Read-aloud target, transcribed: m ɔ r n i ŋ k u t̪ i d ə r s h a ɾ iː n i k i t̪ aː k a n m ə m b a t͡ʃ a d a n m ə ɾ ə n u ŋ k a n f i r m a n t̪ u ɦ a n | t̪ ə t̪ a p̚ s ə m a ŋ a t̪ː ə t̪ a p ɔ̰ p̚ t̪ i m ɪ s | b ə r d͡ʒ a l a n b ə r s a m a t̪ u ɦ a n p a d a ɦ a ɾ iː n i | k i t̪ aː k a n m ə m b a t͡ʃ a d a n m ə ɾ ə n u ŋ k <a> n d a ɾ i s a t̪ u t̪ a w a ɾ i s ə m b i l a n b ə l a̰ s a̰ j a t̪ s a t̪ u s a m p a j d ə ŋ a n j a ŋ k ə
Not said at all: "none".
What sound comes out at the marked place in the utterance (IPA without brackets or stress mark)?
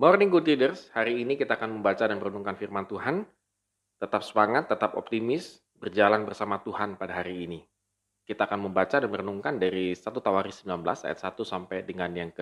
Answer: a